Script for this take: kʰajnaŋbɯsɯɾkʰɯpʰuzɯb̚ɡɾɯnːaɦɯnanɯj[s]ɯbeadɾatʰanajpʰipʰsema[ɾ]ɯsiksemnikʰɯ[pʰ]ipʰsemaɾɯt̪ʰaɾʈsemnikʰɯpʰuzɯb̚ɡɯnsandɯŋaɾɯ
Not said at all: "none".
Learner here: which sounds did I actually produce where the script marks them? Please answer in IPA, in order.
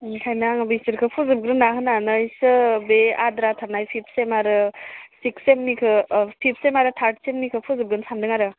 s, ɾ, pʰ

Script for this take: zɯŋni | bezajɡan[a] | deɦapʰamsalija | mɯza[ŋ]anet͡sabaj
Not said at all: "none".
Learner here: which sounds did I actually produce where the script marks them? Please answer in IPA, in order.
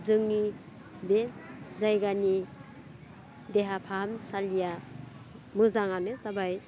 i, ŋ

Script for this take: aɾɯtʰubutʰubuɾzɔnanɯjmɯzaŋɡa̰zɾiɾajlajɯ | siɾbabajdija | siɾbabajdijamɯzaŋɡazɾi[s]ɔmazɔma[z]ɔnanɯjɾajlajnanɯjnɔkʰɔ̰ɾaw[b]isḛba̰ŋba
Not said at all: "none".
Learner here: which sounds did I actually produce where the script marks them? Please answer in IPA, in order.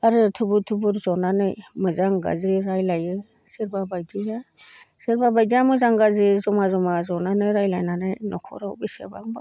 z, z, b

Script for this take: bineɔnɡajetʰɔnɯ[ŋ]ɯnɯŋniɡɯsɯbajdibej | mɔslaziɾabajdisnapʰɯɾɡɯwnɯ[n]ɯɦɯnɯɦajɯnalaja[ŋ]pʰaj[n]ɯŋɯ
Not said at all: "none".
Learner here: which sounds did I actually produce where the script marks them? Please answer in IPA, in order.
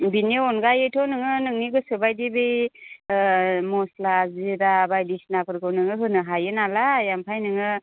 ŋ, ŋ, m, n

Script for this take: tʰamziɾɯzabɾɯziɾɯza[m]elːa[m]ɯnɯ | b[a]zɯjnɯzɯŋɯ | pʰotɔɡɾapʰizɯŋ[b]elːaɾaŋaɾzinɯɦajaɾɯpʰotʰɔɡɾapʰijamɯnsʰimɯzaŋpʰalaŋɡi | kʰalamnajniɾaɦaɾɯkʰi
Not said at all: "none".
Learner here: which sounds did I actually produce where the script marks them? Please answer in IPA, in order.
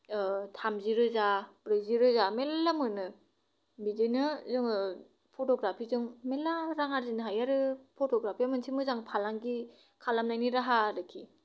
m, m, i, m

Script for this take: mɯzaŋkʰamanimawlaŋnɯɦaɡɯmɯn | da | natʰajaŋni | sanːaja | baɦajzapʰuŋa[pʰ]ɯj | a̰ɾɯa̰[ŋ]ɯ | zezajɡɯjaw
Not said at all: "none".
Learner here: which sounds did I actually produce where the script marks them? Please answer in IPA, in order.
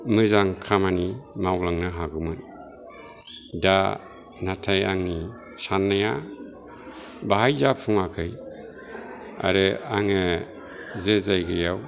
kʰ, ŋ

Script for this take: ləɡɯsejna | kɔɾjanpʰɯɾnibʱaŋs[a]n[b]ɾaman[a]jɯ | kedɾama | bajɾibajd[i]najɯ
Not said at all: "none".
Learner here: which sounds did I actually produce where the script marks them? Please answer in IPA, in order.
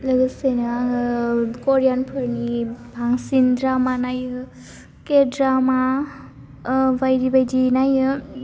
i, d, a, i

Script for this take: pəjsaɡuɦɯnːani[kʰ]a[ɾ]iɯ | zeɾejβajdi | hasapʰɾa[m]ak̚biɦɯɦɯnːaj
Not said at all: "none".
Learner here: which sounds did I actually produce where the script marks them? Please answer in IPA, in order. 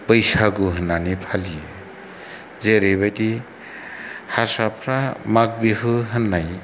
pʰ, l, m

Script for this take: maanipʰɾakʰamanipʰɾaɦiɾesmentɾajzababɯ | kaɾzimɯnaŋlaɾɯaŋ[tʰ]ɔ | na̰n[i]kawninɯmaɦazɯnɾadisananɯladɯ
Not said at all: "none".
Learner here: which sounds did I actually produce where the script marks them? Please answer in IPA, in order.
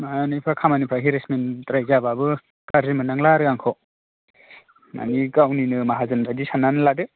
kʰ, i

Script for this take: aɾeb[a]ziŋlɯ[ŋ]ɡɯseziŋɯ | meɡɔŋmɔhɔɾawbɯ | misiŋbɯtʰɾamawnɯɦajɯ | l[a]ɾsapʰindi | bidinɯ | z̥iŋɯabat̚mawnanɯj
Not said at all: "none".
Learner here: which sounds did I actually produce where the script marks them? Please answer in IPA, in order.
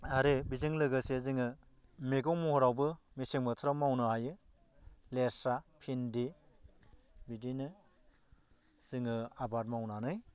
i, none, e

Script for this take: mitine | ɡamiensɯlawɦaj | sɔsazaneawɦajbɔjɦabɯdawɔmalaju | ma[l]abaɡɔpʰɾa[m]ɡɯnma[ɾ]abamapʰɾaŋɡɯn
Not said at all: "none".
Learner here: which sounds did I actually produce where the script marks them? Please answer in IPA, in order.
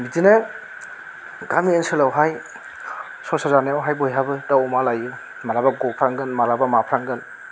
ɾ, ŋ, ɾ

